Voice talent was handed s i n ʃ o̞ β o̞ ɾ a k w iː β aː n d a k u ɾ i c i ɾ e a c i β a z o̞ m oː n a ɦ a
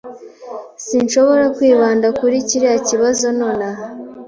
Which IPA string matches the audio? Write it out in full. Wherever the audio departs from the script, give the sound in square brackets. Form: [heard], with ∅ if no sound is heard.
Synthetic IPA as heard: s i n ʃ o̞ β o̞ ɾ a k w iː β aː n d a k u ɾ i c i ɾ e a c i β a z o̞ [n] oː n a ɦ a